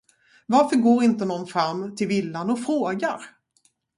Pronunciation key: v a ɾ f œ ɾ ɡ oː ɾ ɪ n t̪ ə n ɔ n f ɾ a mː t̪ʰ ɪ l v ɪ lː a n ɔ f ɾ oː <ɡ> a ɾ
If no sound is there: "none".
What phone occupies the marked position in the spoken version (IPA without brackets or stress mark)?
ɡ